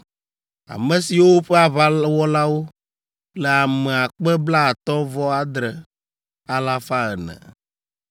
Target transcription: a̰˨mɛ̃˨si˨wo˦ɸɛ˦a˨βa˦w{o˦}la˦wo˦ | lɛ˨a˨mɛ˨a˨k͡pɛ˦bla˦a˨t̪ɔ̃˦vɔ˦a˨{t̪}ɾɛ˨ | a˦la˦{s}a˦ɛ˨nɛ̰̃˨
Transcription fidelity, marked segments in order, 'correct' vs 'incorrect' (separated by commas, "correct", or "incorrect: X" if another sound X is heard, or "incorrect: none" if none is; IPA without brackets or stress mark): incorrect: ɔ˦, incorrect: d̪, incorrect: f